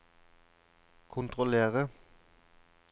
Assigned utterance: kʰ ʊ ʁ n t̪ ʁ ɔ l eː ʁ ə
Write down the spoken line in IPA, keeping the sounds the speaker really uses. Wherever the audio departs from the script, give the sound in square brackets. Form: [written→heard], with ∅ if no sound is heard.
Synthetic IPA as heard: kʰ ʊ [ʁ→∅] n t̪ ʁ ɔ l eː ʁ ə